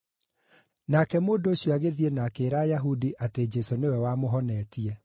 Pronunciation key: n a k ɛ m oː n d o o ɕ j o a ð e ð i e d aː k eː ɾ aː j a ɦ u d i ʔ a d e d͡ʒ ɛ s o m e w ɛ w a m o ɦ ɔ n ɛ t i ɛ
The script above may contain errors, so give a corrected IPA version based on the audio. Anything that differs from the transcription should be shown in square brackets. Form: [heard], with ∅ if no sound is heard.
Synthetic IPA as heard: n a k ɛ m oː n d o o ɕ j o a [ɣ] e ð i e [n] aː k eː ɾ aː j a ɦ u d i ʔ a [t] e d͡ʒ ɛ s o [n] e w ɛ w a m o ɦ ɔ n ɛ t i ɛ

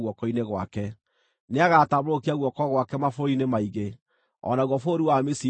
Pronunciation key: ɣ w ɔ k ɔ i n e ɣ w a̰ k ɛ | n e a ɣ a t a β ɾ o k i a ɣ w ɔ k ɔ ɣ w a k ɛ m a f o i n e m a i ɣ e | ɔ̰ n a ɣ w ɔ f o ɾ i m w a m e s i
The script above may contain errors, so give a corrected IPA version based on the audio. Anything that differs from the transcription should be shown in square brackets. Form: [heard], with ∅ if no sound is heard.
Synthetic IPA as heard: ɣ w ɔ k ɔ i n e ɣ w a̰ k ɛ | n e a ɣ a t a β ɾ o k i a ɣ w ɔ k ɔ ɣ w a k ɛ m a f o i n e m a i ɣ e | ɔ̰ n a ɣ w ɔ f o ɾ i [∅] w a m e s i

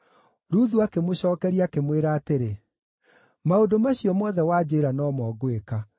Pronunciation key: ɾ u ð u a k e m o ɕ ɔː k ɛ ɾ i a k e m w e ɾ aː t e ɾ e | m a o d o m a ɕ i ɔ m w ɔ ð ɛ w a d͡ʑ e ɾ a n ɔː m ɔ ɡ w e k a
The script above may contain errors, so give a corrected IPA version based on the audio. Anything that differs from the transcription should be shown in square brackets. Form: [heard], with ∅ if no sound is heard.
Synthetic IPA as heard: ɾ u ð u a k e m o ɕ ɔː k ɛ ɾ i a k e m w e ɾ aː t e ɾ e | m a o d o m a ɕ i ɔ m w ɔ ð ɛ w a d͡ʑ e ɾ a n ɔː m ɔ ɡ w e k a

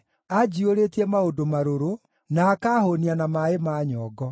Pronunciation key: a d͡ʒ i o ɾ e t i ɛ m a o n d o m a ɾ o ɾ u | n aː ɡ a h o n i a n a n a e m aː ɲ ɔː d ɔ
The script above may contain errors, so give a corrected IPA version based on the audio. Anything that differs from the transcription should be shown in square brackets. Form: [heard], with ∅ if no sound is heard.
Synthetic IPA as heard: a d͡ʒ i o ɾ e t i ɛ m a o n d o m a ɾ o ɾ [o] | n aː [k] a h o n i a n a [m] a e m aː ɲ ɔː [ɡ] ɔ

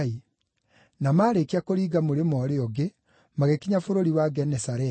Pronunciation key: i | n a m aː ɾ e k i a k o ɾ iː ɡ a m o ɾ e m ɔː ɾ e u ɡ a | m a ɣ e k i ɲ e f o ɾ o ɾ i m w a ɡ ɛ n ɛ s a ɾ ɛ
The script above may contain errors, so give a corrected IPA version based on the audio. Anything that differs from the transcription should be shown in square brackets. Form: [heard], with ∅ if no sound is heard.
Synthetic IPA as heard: i | n a m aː ɾ e k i a k o ɾ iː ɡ a m o ɾ e m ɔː ɾ e [ɔ] ɡ [e] | m a ɣ e k i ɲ [a] f o ɾ o ɾ i [∅] w a ɡ ɛ n ɛ s a ɾ ɛ

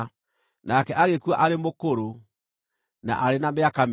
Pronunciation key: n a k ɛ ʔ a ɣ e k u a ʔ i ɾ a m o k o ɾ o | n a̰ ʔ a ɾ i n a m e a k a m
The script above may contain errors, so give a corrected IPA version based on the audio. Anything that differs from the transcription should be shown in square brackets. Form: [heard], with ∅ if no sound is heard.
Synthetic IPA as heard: n a k ɛ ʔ a ɣ e k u a ʔ [a] ɾ [e] m o k o ɾ o | n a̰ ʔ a ɾ [e] n a m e a k a m

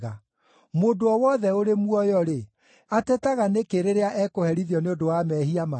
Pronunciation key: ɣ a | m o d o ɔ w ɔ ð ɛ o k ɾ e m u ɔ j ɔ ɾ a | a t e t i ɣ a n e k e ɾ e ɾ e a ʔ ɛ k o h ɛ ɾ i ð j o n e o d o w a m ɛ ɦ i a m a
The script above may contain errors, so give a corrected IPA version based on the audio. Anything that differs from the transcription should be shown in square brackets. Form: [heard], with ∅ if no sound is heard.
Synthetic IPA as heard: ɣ a | m o d o ɔ w ɔ ð ɛ o [∅] ɾ e m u ɔ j ɔ ɾ [e] | a t [ɛ] t [a] ɣ a n e k e ɾ e ɾ e a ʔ ɛ k o h ɛ ɾ i ð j [ɔ] n e o d o w a m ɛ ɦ i a m a

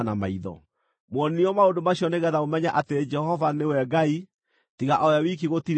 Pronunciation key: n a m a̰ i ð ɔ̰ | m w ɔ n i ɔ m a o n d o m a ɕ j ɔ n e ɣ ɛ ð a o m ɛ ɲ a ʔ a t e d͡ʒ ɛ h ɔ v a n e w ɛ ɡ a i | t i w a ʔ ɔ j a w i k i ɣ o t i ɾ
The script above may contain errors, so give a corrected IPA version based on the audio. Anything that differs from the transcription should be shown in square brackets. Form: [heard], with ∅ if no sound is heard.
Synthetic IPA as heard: n a m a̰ i ð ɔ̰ | m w ɔ n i ɔ m a o n d o m a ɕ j ɔ n e ɣ ɛ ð a o m ɛ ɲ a ʔ a t e d͡ʒ ɛ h ɔ v a n e w ɛ ɡ a i | t i [ɣ] a ʔ ɔ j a w i k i ɣ o t i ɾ

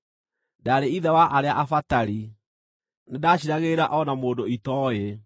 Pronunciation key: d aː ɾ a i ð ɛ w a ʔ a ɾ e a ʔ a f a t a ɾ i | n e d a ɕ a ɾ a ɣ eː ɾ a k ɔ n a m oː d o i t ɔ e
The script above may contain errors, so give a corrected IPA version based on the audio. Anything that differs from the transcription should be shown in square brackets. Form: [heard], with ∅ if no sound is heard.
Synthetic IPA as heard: d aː ɾ [e] i ð ɛ w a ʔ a ɾ e a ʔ a f a t a ɾ i | n e d a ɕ [i] ɾ a ɣ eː ɾ a [ʔ] ɔ n a m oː d o i t ɔ e

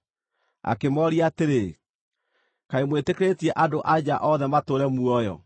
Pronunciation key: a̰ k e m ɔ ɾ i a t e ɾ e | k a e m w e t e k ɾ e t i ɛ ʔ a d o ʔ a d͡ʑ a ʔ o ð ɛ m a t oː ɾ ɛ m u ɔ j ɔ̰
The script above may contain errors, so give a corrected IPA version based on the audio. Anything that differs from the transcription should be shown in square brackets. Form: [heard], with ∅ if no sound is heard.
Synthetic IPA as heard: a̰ k e m ɔ ɾ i a t e ɾ e | k a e m w e t e k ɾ e t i ɛ ʔ a d o ʔ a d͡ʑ a ʔ [ɔ] ð ɛ m a t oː ɾ ɛ m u ɔ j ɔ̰

